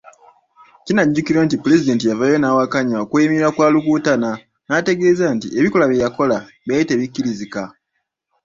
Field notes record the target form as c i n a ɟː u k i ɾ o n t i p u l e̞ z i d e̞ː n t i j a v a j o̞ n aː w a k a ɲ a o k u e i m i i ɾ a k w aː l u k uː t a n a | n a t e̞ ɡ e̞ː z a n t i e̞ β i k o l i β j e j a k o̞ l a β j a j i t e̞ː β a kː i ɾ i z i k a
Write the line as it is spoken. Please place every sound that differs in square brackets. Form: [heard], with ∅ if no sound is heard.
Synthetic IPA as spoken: c i n a ɟː u k i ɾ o n t i p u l e̞ z i d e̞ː n t i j a v a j o̞ n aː w a k a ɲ a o k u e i m i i ɾ a k w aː l u k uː t a n a | n a t e̞ ɡ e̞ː z a n t i e̞ β i k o l [a] β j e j a k o̞ l a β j a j i t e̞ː β [i] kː i ɾ i z i k a